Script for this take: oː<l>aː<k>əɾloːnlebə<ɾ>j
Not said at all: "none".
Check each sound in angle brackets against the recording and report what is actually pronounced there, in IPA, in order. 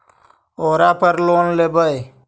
ɾ, p, none

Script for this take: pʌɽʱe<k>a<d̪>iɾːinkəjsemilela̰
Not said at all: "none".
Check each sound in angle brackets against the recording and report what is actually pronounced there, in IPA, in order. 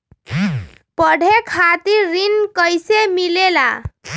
kʰ, t̪

